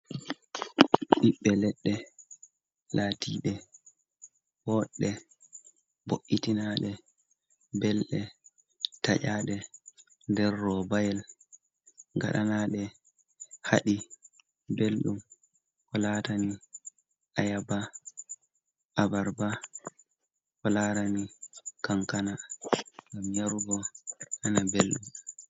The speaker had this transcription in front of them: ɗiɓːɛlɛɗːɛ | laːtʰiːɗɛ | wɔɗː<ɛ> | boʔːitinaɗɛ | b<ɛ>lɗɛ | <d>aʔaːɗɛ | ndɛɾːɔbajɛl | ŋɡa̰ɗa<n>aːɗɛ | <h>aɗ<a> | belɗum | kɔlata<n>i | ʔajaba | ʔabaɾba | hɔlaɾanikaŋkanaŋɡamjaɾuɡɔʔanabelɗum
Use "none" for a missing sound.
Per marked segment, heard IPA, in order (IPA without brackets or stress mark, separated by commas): ɛ, ɛ, t, n, h, i, n